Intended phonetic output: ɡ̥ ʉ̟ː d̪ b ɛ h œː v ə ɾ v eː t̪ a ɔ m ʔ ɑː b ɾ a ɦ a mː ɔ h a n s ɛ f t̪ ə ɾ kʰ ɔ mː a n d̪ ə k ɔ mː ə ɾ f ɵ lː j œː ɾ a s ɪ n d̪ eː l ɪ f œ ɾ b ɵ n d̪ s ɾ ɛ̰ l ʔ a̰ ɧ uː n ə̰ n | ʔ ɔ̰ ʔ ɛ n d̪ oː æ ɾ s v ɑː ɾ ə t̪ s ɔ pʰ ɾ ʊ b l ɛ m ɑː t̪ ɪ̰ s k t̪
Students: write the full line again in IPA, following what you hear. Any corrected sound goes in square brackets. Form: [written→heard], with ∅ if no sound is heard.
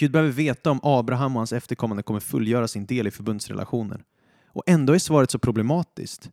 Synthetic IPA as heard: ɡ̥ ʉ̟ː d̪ b ɛ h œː v ə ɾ v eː t̪ a ɔ m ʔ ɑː b ɾ a ɦ a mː ɔ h a n s ɛ f t̪ ə ɾ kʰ ɔ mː a n d̪ ə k ɔ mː ə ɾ f ɵ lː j œː ɾ a s ɪ n d̪ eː l ɪ f œ ɾ b ɵ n d̪ s ɾ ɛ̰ l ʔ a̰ ɧ uː n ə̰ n | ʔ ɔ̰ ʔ ɛ n d̪ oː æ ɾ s v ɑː ɾ ə t̪ s ɔ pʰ ɾ ʊ b l ɛ m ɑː t̪ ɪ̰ s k t̪